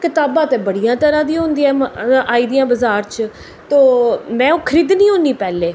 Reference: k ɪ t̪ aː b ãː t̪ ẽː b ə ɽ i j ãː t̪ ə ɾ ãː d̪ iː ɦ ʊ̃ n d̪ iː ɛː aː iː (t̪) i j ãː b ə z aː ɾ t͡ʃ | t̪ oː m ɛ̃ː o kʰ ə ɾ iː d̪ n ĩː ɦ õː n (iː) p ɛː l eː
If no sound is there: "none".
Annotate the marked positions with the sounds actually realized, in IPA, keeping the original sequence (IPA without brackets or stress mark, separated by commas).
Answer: d̪, iː